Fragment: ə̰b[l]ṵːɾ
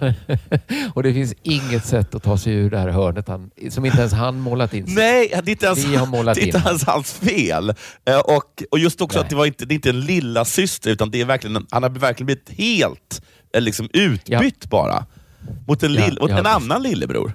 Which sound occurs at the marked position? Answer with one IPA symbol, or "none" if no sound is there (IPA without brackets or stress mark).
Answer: ɾ